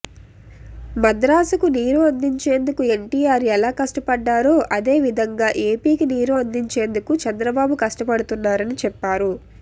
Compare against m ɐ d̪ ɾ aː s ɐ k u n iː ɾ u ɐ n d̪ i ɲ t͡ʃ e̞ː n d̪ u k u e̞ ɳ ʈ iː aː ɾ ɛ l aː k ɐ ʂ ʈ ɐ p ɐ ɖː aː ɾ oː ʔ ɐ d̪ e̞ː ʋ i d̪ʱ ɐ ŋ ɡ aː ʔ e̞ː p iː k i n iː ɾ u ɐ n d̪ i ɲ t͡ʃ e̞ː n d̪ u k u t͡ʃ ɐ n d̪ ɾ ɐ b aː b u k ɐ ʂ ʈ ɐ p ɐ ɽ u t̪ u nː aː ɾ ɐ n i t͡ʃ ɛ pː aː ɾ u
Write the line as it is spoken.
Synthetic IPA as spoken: m ɐ d̪ ɾ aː s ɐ k u n iː ɾ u ɐ n d̪ i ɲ t͡ʃ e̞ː n d̪ u k u e̞ ɳ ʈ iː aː ɾ ɛ l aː k ɐ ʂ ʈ ɐ p ɐ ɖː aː ɾ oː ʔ ɐ d̪ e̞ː ʋ i d̪ʱ ɐ ŋ ɡ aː ʔ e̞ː p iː k i n iː ɾ u ɐ n d̪ i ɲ t͡ʃ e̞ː n d̪ u k u t͡ʃ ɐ n d̪ ɾ ɐ b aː b u k ɐ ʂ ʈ ɐ p ɐ ɽ u t̪ u nː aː ɾ ɐ n i t͡ʃ ɛ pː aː ɾ u

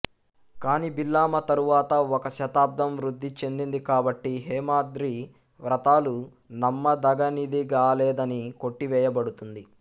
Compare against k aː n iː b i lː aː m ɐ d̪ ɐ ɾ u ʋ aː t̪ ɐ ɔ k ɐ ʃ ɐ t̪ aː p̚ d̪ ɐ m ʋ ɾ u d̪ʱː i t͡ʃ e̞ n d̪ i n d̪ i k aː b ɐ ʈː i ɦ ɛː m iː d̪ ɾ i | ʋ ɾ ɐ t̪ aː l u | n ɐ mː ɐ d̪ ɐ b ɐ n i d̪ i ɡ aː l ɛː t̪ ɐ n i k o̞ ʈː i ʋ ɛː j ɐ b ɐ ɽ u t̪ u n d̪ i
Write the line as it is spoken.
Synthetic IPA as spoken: k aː n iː b i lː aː m ɐ t̪ ɐ ɾ u ʋ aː t̪ ɐ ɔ k ɐ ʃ ɐ t̪ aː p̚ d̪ ɐ m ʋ ɾ u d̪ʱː i t͡ʃ e̞ n d̪ i n d̪ i k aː b ɐ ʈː i ɦ ɛː m aː d̪ ɾ i | ʋ ɾ ɐ t̪ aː l u | n ɐ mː ɐ d̪ ɐ ɡ ɐ n i d̪ i ɡ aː l ɛː d̪ ɐ n i k o̞ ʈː i ʋ ɛː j ɐ b ɐ ɽ u t̪ u n d̪ i

